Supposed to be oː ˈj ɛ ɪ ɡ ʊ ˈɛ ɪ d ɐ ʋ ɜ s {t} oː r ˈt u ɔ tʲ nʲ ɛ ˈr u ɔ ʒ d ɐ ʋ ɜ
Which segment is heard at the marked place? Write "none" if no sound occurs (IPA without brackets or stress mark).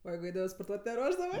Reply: p